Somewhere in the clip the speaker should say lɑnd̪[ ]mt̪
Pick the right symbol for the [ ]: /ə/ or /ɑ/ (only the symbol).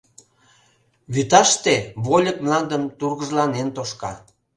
ə